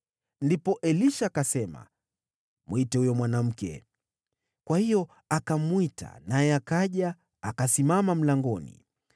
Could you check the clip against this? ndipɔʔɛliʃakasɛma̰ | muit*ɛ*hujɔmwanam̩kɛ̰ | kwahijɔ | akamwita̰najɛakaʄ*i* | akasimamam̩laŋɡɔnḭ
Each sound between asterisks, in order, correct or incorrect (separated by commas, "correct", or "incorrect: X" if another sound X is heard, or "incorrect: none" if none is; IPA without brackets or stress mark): correct, incorrect: a